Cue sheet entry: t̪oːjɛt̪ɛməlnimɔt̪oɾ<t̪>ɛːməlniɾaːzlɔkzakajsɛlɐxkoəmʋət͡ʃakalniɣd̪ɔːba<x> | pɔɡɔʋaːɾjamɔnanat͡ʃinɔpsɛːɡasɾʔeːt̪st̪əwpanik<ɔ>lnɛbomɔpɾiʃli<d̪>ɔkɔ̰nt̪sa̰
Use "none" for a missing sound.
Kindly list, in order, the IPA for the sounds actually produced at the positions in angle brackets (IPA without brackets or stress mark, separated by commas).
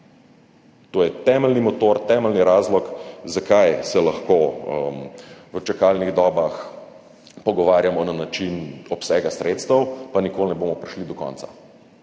t̪, x, o, d̪